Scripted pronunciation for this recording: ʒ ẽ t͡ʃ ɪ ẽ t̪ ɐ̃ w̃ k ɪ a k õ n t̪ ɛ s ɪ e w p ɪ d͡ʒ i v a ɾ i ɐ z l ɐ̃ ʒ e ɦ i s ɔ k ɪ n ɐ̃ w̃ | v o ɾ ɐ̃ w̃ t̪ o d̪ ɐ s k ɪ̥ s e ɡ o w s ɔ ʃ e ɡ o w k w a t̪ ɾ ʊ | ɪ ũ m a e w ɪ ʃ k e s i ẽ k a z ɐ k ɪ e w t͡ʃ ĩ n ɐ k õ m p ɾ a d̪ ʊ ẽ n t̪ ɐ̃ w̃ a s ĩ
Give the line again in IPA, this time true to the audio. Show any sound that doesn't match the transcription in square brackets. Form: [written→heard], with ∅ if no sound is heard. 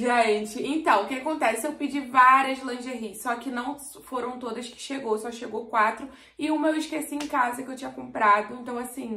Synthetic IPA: ʒ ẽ t͡ʃ ɪ ẽ t̪ ɐ̃ w̃ k ɪ a k õ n t̪ ɛ s ɪ e w p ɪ d͡ʒ i v a ɾ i ɐ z l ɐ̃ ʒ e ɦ i s ɔ k ɪ n ɐ̃ w̃ | [v→f] o ɾ ɐ̃ w̃ t̪ o d̪ ɐ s k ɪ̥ [s→ʃ] e ɡ o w s ɔ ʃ e ɡ o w k w a t̪ ɾ ʊ | ɪ ũ m [a→ɐ] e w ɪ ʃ k e s i ẽ k a z ɐ k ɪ e w t͡ʃ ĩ [n→ɲ] ɐ k õ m p ɾ a d̪ ʊ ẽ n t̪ ɐ̃ w̃ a s ĩ